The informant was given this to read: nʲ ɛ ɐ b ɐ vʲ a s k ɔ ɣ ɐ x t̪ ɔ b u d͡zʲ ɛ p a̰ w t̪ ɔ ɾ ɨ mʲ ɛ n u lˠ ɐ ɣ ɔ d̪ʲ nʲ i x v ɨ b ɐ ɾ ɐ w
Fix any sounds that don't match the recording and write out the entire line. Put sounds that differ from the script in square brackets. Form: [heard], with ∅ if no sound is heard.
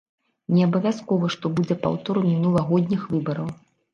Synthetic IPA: nʲ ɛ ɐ b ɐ vʲ a s k ɔ [v] ɐ [ʂ] t̪ ɔ b u d͡zʲ ɛ p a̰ w t̪ ɔ ɾ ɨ mʲ [i] n u lˠ ɐ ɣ ɔ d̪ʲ nʲ i x v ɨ b ɐ ɾ ɐ w